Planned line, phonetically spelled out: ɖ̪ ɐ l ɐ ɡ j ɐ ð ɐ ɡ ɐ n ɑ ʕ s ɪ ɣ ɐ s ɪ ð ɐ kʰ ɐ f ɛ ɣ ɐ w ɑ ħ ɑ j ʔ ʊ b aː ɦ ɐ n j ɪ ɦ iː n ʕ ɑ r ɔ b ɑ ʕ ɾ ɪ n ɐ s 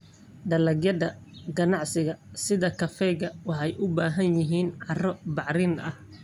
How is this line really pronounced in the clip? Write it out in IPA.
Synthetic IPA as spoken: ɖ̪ ɐ l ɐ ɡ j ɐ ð ɐ ɡ ɐ n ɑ ʕ s ɪ ɣ ɐ s ɪ ð ɐ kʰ ɐ f ɛ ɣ ɐ w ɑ ħ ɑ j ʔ ʊ b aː ɦ ɐ n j ɪ ɦ iː n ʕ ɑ r ɔ b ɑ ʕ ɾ ɪ n ɐ h